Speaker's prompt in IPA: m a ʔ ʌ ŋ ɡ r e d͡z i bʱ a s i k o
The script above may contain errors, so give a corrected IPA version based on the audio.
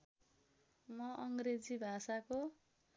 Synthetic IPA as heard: m ʌ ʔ ʌ ŋ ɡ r e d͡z i bʱ a s a k o